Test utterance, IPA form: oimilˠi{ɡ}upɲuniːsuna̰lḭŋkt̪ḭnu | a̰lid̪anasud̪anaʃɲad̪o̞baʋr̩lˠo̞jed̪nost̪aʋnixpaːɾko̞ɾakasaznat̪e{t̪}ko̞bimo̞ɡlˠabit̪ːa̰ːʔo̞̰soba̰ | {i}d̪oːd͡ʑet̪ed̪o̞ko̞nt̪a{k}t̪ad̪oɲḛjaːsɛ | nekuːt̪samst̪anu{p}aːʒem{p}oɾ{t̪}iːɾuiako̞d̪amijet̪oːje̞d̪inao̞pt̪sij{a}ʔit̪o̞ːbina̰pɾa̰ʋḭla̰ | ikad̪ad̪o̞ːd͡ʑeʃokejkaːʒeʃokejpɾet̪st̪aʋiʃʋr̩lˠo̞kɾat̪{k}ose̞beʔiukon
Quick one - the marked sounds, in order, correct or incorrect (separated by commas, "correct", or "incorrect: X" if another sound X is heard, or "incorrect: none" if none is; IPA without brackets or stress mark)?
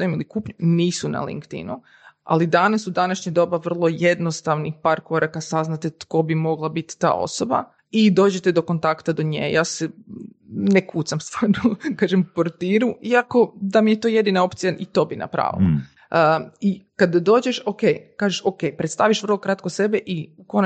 incorrect: k, correct, correct, correct, incorrect: k, correct, correct, correct, correct